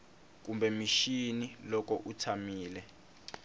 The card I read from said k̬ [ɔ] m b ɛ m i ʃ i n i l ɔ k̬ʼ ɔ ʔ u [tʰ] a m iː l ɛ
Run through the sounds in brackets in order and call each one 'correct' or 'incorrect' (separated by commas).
incorrect, correct